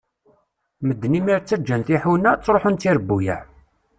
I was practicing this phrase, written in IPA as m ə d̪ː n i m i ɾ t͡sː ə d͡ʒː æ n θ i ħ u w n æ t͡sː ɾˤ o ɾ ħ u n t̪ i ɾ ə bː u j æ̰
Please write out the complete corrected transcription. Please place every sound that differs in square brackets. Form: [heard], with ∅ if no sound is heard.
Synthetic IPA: m ə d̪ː n i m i ɾ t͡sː ə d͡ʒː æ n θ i ħ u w n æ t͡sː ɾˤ o [∅] ħ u n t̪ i ɾ ə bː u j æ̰